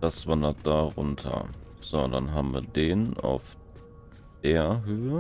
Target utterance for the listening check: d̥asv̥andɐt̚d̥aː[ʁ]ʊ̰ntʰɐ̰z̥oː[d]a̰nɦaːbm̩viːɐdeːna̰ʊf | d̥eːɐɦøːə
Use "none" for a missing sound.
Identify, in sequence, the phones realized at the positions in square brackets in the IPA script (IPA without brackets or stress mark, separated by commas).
ʁ, d